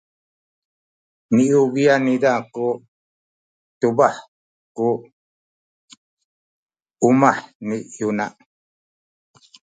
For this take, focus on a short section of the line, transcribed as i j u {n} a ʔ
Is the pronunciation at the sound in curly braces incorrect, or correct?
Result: correct